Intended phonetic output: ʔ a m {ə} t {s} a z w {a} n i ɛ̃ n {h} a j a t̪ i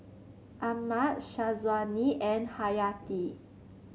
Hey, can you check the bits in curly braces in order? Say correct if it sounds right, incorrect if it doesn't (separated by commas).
incorrect, incorrect, correct, correct